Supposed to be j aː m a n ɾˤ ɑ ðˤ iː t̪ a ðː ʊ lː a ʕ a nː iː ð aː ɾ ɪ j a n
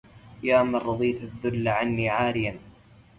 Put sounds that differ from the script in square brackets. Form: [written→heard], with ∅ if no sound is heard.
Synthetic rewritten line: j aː m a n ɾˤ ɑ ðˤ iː t̪ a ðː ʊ lː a ʕ a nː iː [ð→ʕ] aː ɾ ɪ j a n